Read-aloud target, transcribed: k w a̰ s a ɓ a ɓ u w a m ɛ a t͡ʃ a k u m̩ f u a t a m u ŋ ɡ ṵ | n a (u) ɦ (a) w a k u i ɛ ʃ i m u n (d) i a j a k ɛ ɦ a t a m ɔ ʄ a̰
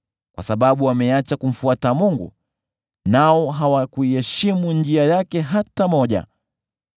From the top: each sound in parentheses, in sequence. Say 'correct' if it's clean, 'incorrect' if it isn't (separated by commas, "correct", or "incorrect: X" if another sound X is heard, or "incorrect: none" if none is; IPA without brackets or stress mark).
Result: incorrect: ɔ, correct, incorrect: d͡ʒ